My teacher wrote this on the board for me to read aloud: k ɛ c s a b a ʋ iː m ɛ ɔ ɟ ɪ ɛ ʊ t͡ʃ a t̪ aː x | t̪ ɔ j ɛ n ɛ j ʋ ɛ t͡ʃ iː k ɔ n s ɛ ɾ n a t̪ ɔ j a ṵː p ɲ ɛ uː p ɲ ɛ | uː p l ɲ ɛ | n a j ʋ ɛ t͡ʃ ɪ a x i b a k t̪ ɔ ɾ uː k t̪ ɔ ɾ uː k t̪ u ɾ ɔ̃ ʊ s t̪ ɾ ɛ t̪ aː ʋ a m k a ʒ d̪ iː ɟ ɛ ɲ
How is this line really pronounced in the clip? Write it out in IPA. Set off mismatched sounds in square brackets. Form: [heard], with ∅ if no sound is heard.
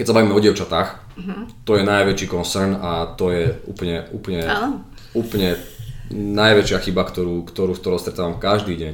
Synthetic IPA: k ɛ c s a b a ʋ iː m ɛ ɔ ɟ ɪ ɛ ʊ t͡ʃ a t̪ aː x | t̪ ɔ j ɛ n [a] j ʋ ɛ t͡ʃ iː k ɔ n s ɛ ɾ n a t̪ ɔ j [ɛ] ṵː p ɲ ɛ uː p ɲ ɛ | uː p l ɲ ɛ | n a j ʋ ɛ t͡ʃ ɪ a x i b a k t̪ ɔ ɾ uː k t̪ ɔ ɾ uː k t̪ [ɔ] ɾ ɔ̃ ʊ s t̪ ɾ ɛ t̪ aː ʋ a m k a ʒ d̪ iː ɟ ɛ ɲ